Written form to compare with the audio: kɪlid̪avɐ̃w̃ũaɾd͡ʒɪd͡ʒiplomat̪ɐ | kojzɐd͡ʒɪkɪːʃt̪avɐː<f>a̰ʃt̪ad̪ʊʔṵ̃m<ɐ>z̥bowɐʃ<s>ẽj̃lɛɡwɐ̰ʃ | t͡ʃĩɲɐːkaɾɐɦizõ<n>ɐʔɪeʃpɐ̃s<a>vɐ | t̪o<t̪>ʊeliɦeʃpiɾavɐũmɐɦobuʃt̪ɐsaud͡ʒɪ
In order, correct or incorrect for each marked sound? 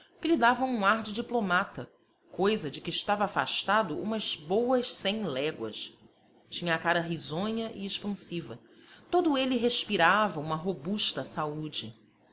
correct, correct, correct, incorrect: ɲ, incorrect: i, incorrect: d̪

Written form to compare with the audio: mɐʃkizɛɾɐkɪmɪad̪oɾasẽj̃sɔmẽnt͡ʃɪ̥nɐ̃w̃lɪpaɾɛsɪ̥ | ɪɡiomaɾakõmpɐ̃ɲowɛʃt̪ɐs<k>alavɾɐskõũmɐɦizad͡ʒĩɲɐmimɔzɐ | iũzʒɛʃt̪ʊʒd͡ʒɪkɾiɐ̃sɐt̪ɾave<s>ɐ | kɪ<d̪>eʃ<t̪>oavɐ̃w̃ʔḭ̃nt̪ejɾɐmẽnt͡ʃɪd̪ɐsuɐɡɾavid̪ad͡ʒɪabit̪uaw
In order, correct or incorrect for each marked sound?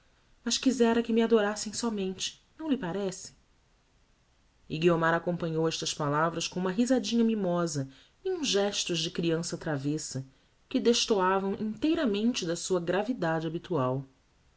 incorrect: p, correct, correct, correct

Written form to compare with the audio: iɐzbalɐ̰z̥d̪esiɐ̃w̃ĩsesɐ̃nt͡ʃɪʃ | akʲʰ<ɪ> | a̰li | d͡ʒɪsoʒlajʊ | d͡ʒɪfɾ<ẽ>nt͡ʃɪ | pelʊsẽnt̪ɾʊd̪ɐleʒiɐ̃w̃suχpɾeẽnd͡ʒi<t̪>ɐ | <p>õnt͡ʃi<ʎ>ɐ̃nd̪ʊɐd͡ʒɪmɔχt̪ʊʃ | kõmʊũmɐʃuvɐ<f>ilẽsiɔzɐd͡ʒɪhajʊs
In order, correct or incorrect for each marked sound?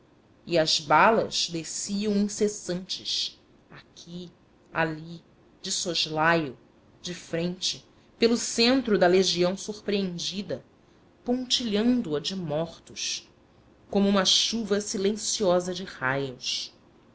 incorrect: i, correct, incorrect: d̪, correct, correct, incorrect: s

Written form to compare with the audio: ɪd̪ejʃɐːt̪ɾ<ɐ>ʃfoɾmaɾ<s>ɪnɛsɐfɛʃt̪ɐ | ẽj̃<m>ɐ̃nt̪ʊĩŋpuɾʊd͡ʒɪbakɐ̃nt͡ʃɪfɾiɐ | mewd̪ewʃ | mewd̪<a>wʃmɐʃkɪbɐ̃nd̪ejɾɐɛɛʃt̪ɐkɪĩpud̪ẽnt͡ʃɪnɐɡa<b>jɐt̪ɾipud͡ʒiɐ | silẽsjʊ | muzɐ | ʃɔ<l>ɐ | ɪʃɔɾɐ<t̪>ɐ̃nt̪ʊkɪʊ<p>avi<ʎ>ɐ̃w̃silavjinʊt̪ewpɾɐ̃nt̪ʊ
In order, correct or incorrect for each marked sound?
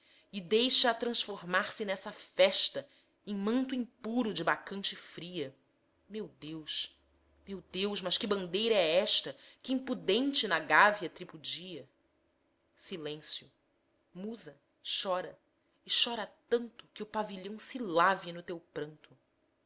incorrect: ɐ̃, correct, correct, incorrect: e, incorrect: v, incorrect: ɾ, correct, correct, correct

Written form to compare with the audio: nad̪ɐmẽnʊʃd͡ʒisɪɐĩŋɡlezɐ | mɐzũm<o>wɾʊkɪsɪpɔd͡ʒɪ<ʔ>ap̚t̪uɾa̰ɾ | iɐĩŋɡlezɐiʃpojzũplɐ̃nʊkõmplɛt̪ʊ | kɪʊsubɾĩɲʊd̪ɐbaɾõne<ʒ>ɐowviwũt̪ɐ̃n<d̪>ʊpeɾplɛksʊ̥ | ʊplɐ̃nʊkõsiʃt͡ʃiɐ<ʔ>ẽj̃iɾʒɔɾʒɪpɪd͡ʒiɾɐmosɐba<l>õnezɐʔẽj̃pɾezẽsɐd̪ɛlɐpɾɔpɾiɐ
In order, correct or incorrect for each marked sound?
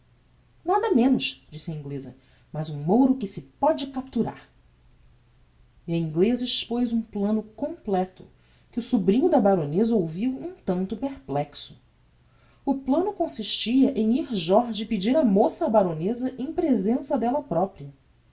correct, incorrect: k, incorrect: z, incorrect: t̪, correct, incorrect: ɾ

